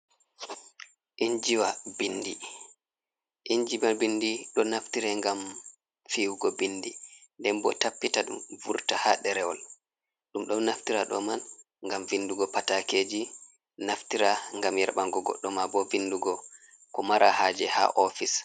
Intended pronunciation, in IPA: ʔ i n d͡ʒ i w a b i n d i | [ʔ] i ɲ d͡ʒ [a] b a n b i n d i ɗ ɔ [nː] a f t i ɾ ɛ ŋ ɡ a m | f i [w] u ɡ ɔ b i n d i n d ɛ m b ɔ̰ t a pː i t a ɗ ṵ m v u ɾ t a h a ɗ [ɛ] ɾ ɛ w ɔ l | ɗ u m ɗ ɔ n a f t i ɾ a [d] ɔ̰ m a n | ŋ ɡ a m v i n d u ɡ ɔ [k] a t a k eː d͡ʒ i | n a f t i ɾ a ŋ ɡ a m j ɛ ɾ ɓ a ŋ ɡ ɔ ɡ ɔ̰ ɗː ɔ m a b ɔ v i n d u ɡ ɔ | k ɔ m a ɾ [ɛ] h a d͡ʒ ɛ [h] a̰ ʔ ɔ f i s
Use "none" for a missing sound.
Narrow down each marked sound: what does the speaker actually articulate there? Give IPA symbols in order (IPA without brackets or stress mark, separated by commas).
ʔ, i, n, w, ɛ, ɗ, p, a, h